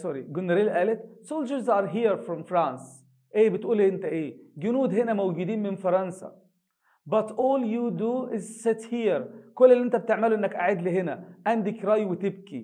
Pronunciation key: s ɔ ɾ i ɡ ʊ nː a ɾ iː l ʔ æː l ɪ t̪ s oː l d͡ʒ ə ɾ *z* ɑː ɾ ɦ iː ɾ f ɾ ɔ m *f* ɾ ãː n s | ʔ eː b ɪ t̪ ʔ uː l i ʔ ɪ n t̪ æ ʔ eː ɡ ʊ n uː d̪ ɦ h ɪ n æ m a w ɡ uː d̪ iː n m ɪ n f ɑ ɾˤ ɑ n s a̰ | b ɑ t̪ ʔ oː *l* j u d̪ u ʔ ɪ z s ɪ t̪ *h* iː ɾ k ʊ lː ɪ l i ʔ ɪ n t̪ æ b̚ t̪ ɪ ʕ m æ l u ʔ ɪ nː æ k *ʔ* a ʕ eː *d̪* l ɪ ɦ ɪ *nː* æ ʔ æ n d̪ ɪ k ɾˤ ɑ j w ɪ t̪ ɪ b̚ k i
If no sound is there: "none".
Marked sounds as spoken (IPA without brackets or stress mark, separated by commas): z, f, l, h, ʔ, d̪, n